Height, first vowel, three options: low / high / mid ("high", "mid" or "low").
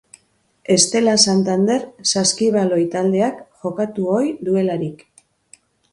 mid